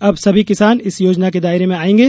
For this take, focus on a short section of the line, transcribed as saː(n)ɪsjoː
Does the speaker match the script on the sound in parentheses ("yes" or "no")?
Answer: yes